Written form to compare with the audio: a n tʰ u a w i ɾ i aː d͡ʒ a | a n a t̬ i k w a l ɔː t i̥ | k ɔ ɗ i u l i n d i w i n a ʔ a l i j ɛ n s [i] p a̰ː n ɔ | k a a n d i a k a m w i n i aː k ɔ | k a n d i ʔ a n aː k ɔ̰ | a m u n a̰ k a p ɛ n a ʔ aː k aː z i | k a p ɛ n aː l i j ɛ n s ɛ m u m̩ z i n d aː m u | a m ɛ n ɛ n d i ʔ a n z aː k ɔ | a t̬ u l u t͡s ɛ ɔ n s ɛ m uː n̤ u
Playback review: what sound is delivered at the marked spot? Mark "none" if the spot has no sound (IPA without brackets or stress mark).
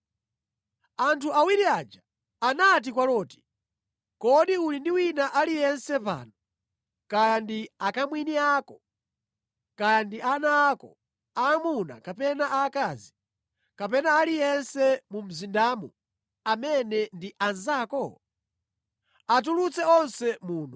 ɛ